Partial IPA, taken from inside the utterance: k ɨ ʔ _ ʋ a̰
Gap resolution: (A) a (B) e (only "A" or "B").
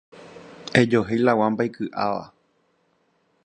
A